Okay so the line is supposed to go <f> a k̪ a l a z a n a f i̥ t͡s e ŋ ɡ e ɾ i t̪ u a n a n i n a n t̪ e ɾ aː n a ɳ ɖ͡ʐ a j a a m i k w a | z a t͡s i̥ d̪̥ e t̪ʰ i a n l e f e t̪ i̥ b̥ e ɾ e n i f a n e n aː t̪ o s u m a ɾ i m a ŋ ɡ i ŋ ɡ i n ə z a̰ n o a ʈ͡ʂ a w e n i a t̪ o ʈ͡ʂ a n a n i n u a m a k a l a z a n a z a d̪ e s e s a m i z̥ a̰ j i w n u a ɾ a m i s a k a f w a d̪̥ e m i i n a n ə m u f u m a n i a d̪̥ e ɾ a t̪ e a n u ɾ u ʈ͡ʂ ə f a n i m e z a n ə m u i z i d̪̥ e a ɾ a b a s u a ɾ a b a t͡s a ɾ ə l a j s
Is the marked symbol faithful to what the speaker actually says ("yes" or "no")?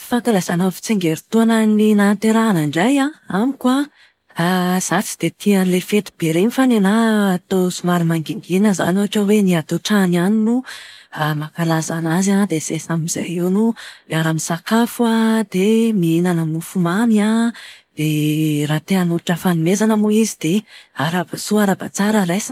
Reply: yes